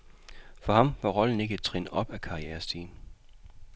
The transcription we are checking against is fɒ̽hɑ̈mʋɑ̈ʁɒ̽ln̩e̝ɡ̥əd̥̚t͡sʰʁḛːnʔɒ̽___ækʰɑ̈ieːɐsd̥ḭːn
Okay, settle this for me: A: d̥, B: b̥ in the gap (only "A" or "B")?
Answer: B